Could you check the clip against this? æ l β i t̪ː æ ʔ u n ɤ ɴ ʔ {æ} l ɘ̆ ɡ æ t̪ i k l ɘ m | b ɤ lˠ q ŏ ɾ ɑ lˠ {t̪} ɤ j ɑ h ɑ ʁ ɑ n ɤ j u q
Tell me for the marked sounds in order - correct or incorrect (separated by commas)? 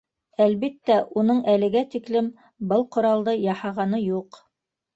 correct, incorrect